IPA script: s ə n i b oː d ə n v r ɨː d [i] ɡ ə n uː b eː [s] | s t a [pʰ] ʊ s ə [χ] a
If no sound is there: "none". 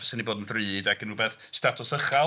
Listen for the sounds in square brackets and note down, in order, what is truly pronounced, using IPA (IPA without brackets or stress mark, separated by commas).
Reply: a, θ, tʰ, χ